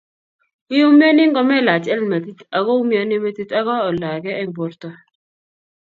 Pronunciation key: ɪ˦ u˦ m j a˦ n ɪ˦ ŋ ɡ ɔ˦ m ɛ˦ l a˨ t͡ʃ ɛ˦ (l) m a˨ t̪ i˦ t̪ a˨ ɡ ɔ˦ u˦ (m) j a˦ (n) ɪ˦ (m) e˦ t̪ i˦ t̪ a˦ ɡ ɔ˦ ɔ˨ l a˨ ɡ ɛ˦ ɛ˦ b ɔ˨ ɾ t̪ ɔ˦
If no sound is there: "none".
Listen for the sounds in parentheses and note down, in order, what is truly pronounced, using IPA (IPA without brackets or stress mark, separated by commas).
l, m, n, m